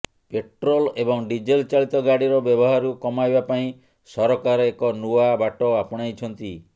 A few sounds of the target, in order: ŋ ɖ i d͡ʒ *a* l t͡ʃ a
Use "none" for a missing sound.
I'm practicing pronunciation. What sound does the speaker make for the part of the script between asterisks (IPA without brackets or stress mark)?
e